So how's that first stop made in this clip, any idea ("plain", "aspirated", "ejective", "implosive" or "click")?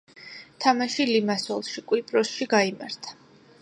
aspirated